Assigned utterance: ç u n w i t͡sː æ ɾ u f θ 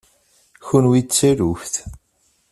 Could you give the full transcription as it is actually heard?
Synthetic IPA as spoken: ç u n w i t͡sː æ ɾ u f θ